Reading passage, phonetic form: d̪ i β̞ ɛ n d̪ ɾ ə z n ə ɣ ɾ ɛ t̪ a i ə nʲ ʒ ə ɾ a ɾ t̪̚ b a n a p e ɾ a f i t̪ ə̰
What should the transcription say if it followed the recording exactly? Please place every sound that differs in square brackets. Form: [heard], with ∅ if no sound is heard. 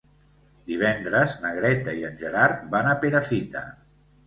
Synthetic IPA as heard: d̪ i β̞ ɛ n d̪ ɾ ə z n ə ɣ ɾ ɛ t̪ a i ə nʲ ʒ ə ɾ a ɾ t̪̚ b a n a p e ɾ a f i t̪ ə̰